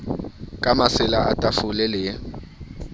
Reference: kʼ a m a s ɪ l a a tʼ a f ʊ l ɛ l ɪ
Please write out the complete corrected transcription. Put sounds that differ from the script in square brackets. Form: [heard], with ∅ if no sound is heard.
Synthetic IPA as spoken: kʼ a m a s ɪ l a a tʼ a f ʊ l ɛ l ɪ